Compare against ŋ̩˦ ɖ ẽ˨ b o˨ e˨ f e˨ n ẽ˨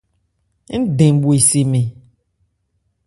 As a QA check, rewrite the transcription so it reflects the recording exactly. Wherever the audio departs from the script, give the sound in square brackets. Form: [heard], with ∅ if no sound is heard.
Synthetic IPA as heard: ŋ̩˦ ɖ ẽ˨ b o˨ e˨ [s] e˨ [m] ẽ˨

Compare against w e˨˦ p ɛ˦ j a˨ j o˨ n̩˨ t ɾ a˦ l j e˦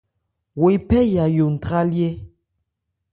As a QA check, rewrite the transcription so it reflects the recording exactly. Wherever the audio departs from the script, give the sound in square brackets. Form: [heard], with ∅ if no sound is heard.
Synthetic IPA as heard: w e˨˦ p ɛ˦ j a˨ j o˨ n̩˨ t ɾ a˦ l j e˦

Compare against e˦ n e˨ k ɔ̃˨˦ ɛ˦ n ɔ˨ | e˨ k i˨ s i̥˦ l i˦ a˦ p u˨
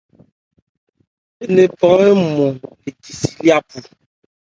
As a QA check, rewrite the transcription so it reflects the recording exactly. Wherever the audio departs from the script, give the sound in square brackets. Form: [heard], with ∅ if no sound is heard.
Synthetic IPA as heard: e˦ n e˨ [p] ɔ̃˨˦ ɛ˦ [m] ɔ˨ | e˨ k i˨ s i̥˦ l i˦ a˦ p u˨

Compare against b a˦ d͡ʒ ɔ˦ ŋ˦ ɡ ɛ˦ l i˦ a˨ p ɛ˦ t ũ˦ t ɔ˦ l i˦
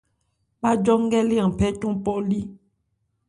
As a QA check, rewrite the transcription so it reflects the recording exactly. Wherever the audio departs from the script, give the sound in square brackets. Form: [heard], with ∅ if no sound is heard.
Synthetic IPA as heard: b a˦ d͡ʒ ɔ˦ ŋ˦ ɡ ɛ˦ l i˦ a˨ p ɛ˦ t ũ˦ [p] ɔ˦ l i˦

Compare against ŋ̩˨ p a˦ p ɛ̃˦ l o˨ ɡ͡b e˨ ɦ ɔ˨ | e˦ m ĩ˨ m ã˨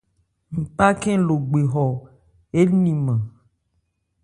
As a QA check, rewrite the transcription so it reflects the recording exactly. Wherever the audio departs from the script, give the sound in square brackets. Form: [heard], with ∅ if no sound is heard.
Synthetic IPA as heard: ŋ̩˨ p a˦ [k] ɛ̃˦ l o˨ ɡ͡b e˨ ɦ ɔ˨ | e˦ [n] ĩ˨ m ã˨

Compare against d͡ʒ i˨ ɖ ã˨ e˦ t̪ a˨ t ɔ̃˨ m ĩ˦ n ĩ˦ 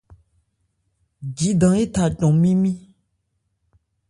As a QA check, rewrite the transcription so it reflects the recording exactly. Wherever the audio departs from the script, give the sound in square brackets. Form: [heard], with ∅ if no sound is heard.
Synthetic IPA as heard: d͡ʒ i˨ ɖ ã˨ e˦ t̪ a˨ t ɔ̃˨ m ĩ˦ [m] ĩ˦

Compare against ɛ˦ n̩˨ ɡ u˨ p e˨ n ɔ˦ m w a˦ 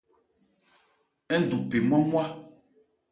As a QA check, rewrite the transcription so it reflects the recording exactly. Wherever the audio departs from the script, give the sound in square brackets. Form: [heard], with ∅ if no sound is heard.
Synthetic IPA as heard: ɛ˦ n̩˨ [d] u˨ p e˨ [m] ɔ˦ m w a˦

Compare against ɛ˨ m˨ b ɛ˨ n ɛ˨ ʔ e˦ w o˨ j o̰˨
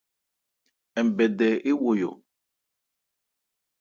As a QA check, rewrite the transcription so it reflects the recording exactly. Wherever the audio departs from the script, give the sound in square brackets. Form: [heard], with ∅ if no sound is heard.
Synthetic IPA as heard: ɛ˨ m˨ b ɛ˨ [d] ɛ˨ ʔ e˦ w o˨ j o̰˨

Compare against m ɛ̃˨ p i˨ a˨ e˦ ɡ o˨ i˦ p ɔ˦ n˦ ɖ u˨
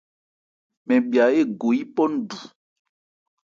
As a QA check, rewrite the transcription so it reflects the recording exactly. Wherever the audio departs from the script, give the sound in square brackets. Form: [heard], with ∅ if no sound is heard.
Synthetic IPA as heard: m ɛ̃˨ [b] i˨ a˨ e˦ ɡ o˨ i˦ p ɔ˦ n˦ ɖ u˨

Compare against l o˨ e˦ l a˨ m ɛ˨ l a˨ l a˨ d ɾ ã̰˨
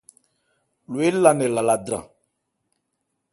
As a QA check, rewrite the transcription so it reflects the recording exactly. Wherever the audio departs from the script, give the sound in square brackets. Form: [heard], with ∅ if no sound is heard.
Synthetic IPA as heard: l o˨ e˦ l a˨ [n] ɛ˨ l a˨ l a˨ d ɾ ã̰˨

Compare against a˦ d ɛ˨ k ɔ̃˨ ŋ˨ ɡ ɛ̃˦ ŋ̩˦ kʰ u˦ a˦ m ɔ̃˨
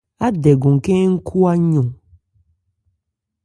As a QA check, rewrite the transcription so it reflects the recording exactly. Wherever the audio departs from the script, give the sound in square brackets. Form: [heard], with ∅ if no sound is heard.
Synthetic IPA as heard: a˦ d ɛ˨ [ɡ] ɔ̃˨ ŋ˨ [k] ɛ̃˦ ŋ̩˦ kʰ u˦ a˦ [ɲ] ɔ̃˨

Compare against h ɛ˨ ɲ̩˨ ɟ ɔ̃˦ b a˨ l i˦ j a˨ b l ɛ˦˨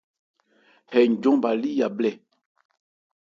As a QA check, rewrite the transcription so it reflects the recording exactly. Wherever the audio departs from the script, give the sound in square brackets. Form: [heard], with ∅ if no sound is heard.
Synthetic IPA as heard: h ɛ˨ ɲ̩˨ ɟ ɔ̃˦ b a˨ l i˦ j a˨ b l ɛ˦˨

